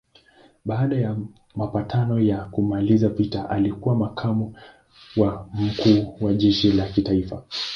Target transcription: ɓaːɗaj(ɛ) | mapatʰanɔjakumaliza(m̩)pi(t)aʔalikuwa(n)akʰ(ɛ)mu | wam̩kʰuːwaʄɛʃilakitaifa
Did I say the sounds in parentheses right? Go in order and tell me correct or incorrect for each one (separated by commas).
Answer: incorrect, incorrect, correct, incorrect, incorrect